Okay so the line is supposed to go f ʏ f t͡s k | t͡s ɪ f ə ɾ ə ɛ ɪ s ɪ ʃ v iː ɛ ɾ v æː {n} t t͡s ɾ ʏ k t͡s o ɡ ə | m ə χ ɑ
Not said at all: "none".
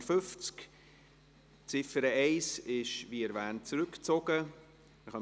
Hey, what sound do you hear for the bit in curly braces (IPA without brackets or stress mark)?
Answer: n